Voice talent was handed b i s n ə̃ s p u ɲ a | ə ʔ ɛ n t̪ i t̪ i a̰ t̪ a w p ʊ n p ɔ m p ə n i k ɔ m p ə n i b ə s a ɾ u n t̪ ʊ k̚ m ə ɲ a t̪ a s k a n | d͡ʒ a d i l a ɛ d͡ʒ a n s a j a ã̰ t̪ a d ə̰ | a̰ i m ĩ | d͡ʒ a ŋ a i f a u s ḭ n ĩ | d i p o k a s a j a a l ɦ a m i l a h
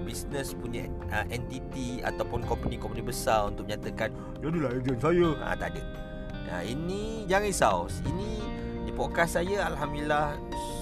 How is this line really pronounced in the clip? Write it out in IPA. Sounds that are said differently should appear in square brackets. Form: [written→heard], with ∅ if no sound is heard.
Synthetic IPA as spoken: b i s n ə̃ s p u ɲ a | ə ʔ ɛ n t̪ i t̪ i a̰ t̪ a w p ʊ n [p→k] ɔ m p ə n i k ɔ m p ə n i b ə s a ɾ u n t̪ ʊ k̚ m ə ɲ a t̪ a [s→∅] k a n | d͡ʒ a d i l a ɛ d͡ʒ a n s a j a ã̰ t̪ a d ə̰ | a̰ i [m→n] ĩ | d͡ʒ a ŋ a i [f→s] a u s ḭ n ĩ | d i p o k a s a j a a l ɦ a m i l a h